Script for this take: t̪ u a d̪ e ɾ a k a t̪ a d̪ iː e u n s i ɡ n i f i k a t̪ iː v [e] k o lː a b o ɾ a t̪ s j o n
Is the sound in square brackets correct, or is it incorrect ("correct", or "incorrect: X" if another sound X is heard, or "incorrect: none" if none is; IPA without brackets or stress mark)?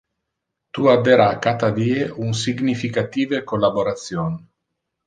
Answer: correct